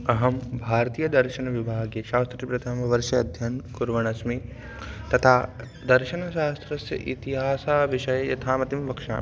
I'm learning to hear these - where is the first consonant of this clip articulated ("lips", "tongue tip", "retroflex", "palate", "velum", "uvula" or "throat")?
throat